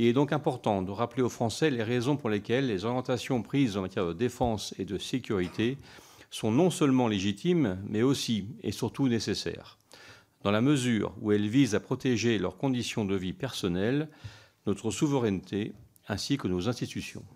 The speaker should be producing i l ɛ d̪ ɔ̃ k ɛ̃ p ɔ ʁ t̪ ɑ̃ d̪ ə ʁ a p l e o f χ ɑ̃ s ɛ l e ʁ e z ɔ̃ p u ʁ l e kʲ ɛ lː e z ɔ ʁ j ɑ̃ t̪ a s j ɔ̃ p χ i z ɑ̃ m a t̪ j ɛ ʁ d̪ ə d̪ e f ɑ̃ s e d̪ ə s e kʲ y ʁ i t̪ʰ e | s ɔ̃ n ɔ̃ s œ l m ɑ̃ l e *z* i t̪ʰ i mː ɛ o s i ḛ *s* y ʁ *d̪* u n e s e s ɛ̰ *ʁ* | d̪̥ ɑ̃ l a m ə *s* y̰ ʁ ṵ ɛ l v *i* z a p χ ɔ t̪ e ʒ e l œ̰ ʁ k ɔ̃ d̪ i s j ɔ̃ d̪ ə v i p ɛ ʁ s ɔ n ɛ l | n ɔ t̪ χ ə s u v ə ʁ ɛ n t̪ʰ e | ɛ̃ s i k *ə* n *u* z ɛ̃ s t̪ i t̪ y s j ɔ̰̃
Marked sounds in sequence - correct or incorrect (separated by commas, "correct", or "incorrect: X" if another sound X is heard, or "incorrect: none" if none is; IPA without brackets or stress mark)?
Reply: incorrect: ʒ, correct, incorrect: t̪, correct, incorrect: z, correct, correct, incorrect: o